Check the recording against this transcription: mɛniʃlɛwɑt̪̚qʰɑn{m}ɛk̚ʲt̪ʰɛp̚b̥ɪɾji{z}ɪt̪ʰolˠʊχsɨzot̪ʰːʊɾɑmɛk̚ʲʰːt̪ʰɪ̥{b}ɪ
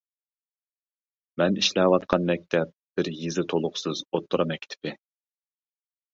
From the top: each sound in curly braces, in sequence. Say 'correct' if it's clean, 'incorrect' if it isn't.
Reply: correct, correct, incorrect

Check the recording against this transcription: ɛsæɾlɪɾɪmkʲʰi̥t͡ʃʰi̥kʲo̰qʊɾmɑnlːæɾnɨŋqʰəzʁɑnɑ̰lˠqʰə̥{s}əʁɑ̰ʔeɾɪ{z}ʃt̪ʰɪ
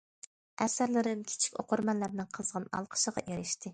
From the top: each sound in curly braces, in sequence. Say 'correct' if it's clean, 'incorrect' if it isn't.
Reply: incorrect, incorrect

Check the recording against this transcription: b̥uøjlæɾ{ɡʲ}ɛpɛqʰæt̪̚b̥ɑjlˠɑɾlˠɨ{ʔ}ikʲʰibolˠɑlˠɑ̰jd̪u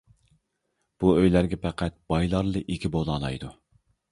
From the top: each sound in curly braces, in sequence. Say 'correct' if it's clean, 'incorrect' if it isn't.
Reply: correct, correct

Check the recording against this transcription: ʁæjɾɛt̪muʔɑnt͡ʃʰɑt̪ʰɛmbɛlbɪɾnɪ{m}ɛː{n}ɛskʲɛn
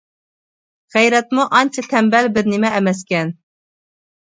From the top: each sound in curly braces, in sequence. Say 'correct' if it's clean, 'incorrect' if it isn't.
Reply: correct, incorrect

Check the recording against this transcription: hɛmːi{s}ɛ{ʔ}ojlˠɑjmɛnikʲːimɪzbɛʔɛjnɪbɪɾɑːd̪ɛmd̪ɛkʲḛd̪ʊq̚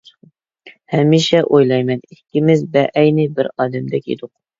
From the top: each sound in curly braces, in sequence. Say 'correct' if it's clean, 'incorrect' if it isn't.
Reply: incorrect, correct

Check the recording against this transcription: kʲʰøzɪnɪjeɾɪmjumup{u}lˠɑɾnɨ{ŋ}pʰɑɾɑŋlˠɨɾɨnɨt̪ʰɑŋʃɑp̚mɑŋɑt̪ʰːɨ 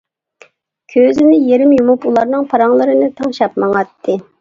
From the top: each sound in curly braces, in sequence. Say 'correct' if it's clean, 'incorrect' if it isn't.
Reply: correct, correct

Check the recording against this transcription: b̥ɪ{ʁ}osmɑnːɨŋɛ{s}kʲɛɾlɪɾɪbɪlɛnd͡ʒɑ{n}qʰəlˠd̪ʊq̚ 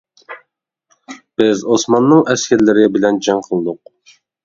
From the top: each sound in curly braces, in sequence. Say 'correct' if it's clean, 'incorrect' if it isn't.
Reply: incorrect, correct, incorrect

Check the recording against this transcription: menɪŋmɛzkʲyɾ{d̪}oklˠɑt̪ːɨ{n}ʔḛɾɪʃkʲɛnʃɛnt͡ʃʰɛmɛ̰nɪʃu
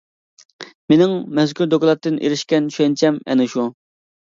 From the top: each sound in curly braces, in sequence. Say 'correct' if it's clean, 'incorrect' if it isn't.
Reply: correct, correct

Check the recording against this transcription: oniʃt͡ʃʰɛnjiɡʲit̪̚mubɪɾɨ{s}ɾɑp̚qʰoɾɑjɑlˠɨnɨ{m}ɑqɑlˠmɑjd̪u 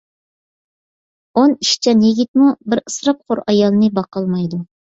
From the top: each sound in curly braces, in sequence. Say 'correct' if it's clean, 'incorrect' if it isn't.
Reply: correct, incorrect

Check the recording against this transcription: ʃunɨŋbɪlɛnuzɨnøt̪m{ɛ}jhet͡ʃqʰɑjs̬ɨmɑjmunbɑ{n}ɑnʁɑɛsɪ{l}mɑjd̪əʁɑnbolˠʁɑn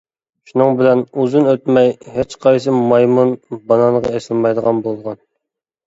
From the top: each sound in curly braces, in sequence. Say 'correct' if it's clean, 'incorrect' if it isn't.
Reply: correct, correct, correct

